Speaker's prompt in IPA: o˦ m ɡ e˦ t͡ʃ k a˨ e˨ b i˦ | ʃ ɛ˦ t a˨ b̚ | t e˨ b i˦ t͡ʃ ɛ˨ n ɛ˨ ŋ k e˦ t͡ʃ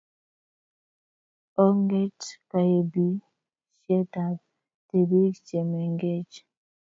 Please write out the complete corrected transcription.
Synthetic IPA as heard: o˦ ŋ ɡ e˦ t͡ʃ k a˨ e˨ b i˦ | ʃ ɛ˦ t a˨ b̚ | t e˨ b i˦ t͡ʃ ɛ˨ m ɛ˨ ŋ ɡ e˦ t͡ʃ